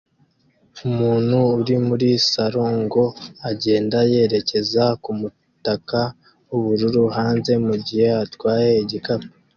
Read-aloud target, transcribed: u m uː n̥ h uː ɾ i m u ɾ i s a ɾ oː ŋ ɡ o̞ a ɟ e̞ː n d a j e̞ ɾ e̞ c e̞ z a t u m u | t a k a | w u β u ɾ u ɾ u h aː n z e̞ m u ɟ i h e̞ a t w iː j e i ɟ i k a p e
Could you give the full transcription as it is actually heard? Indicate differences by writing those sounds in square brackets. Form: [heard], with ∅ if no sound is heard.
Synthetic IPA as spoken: u m uː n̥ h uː ɾ i m u ɾ i s a ɾ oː ŋ ɡ o̞ a ɟ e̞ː n d a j e̞ ɾ e̞ c e̞ z a [k] u m u | t a k a | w u β u ɾ u ɾ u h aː n z e̞ m u ɟ i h e̞ a t w [aː] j e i ɟ i k a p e